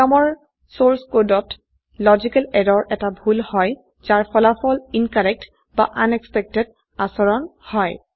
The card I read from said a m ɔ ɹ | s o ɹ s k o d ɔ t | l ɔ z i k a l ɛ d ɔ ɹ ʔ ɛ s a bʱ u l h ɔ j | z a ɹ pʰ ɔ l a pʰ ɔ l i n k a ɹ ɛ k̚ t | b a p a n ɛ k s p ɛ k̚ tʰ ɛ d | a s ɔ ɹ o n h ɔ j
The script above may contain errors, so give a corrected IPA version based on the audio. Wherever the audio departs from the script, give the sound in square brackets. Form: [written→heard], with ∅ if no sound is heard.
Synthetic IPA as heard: a m ɔ ɹ | s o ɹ s k o d ɔ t | l ɔ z i k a l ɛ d ɔ ɹ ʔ ɛ [s→t] a bʱ u l h ɔ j | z a ɹ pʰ ɔ l a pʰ ɔ l i n k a ɹ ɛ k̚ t | b a [p→ʔ] a n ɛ k s p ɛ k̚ [tʰ→t] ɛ d | a s ɔ ɹ [o→ɔ] n h ɔ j